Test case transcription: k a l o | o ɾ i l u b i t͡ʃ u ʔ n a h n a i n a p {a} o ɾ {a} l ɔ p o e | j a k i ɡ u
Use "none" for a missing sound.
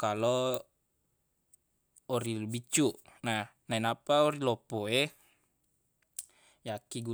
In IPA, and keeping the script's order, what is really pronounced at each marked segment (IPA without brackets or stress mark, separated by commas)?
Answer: a, i